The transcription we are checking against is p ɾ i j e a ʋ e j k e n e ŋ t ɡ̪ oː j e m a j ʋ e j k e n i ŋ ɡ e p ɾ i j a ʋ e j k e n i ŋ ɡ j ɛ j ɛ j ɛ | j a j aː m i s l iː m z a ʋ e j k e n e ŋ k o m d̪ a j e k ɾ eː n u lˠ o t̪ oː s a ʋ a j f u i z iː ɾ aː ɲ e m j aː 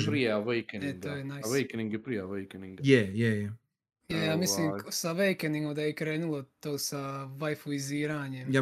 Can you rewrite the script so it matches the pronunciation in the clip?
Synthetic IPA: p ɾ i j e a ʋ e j k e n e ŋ t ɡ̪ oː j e n a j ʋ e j k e n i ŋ ɡ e p ɾ i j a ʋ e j k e n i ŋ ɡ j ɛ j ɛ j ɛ | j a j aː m i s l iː m s a ʋ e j k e n i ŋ ɡ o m d̪ a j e k ɾ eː n u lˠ o t̪ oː s a ʋ a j f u i z iː ɾ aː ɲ e m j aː